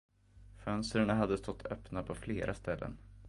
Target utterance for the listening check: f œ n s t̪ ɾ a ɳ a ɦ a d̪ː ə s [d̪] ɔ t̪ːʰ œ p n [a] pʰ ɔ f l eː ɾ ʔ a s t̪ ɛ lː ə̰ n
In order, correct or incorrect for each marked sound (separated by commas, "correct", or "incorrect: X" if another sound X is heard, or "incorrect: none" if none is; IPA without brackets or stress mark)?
incorrect: t̪, correct